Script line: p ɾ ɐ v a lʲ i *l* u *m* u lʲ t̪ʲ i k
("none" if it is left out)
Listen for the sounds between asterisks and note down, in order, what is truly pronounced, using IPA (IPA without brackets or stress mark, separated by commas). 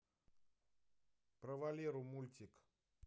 ɾ, m